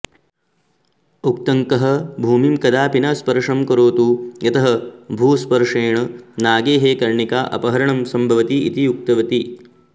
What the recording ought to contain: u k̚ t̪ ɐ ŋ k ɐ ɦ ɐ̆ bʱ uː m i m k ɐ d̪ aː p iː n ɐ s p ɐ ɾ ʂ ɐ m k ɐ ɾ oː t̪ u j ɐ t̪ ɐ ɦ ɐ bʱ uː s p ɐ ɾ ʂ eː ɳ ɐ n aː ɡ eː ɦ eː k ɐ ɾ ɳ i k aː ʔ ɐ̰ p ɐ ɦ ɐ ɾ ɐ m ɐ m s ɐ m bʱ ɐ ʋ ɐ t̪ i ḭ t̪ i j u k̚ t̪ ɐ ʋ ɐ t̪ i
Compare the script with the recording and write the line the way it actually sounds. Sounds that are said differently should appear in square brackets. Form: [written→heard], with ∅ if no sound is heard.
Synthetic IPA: u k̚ t̪ ɐ ŋ k ɐ ɦ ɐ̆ bʱ uː m i m k ɐ d̪ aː p [iː→i] n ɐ s p ɐ ɾ ʂ ɐ m k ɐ ɾ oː t̪ u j ɐ t̪ ɐ ɦ ɐ bʱ uː s p ɐ ɾ ʂ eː ɳ ɐ n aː ɡ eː ɦ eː k ɐ ɾ ɳ i k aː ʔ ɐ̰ p ɐ ɦ ɐ ɾ ɐ [m→ɳ] ɐ m s ɐ m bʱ ɐ ʋ ɐ t̪ i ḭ t̪ i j u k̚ t̪ ɐ ʋ ɐ t̪ i